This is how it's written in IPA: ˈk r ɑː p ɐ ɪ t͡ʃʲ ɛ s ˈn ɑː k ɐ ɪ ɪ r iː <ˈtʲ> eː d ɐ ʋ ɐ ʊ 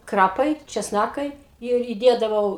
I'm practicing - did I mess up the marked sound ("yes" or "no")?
yes